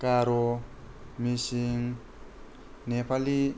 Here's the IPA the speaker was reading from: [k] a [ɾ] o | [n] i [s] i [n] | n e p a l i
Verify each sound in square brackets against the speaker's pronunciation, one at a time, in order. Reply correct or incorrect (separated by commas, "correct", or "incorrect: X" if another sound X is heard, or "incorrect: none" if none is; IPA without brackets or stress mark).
correct, correct, incorrect: m, correct, incorrect: ŋ